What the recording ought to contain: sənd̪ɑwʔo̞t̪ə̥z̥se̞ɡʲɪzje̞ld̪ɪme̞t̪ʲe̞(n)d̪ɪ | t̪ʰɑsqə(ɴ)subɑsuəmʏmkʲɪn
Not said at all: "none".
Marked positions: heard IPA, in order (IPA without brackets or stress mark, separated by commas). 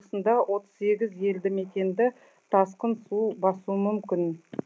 n, n